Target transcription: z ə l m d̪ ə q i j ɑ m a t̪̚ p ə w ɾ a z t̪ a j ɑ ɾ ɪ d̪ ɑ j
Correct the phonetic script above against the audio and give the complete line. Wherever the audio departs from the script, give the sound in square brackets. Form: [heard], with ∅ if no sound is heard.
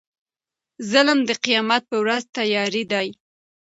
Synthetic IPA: z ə l m d̪ ə q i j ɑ m a t̪̚ p ə w ɾ a z t̪ a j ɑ ɾ [i] d̪ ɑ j

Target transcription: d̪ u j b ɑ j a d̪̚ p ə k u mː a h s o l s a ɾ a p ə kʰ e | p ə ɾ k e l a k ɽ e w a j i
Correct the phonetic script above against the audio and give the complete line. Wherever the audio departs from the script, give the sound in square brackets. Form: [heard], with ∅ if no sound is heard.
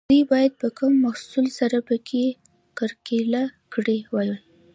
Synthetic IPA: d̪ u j b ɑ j a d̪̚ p ə k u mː a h s [u] l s a ɾ a p ə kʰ e | [k] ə ɾ k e l a k ɽ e w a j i

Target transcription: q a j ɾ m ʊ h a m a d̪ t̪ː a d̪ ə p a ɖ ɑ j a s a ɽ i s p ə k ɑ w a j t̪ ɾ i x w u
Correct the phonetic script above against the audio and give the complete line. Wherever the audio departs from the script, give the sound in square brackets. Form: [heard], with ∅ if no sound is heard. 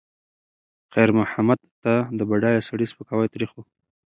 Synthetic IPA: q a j ɾ m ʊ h a m a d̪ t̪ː a d̪ ə [b] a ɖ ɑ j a s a ɽ i s p ə k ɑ w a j t̪ ɾ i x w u

